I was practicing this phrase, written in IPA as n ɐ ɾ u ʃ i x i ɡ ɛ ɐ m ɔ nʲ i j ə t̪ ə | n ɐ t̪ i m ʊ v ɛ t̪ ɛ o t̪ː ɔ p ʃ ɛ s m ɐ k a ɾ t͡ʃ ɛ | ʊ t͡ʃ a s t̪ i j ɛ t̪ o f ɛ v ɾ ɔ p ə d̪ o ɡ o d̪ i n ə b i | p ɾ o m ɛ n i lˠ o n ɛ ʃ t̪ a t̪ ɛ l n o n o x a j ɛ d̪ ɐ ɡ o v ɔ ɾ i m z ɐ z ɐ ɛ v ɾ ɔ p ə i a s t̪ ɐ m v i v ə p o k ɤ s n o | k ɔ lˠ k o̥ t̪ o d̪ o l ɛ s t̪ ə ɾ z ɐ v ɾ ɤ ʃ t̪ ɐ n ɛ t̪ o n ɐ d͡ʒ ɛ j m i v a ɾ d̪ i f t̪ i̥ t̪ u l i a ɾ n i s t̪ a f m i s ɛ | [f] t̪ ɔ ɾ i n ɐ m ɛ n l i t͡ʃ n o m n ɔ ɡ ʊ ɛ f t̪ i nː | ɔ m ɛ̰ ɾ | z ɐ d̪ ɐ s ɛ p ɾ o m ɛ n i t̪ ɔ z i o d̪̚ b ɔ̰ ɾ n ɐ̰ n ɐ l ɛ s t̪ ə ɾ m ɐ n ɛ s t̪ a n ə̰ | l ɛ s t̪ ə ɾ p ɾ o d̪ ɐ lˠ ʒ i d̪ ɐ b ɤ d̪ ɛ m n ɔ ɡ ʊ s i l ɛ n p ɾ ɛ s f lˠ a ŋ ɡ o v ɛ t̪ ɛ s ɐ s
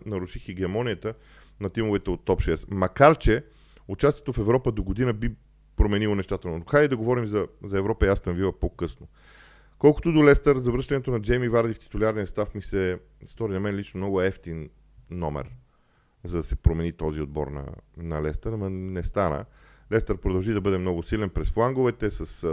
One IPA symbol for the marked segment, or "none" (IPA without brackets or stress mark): s